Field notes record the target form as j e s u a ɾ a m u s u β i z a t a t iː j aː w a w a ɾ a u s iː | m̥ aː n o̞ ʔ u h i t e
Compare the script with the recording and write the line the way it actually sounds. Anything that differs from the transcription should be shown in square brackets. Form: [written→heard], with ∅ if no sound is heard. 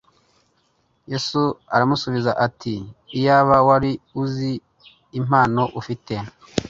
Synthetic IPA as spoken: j e s u a ɾ a m u s u β i z a [t→ʔ] a t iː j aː [w→β] a w a ɾ [a→i] u [s→z] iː | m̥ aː n o̞ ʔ u [h→f] i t e